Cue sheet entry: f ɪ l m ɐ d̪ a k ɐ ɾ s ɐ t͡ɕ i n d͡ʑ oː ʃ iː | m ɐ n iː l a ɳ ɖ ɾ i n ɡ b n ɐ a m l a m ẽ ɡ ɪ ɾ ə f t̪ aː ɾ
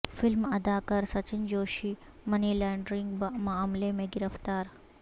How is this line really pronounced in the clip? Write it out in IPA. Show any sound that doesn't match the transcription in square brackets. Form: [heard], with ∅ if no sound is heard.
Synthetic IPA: f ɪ l m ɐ d̪ a k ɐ ɾ s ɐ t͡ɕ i n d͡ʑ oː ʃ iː | m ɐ n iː l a ɳ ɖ ɾ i [ŋ] ɡ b [m] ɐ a m l [e] m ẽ ɡ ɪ ɾ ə f t̪ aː ɾ